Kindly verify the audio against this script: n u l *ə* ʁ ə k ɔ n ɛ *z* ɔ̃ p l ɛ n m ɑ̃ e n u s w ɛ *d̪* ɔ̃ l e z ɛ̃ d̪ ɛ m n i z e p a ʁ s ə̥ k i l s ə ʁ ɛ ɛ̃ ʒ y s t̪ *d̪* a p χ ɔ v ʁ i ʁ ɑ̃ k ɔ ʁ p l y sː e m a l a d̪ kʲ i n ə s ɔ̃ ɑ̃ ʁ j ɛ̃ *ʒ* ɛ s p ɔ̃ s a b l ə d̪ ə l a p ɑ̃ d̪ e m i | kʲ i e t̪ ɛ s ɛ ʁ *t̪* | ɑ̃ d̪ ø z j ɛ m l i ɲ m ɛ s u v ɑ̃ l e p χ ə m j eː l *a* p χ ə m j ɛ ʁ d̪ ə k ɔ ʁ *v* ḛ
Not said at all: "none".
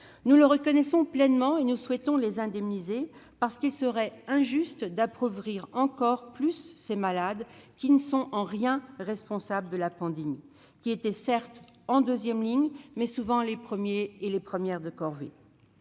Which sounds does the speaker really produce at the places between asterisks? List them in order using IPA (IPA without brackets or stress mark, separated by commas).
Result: ə, s, t̪, d̪, ʁ, t̪, e, v